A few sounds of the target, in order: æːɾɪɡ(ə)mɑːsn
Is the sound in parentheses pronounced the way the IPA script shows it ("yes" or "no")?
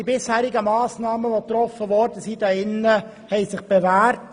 yes